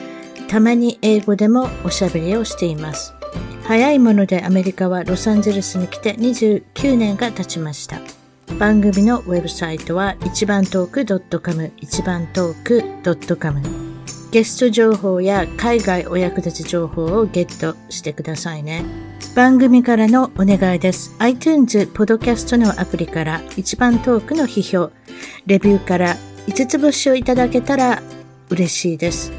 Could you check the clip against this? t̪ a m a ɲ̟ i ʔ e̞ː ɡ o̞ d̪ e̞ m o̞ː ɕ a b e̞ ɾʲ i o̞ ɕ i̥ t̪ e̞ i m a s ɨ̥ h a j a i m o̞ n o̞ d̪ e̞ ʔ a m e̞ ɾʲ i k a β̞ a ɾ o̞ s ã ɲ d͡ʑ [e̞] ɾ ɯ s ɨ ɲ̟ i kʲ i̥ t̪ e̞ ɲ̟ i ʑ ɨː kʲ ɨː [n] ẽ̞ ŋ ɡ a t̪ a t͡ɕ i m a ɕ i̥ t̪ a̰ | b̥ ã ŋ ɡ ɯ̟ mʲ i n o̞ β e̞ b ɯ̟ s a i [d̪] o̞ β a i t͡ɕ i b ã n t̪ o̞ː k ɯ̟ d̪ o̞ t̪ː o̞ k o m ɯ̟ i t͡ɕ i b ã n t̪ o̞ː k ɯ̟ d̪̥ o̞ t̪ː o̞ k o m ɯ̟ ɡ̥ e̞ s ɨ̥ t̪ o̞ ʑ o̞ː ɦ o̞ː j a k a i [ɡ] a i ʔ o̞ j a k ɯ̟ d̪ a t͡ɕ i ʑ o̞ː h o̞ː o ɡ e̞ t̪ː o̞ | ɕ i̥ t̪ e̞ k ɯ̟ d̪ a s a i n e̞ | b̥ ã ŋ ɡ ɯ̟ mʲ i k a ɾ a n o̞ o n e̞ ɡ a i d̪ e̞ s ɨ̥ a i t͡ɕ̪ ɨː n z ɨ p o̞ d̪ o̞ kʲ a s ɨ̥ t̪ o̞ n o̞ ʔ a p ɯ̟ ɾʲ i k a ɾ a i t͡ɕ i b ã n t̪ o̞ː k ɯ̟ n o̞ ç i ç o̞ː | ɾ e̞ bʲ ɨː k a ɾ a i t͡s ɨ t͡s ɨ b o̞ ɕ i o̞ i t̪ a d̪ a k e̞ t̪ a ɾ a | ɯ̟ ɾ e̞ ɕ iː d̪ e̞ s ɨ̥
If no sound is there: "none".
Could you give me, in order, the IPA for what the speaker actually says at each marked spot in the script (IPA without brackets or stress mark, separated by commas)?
e̞, n, t̪, ɡ